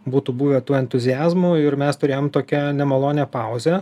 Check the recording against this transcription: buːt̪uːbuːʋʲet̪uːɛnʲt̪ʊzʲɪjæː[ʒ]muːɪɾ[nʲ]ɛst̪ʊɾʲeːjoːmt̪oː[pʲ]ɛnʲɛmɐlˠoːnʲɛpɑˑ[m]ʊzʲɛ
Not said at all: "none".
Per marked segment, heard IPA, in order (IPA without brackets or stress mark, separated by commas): z, mʲ, kʲ, none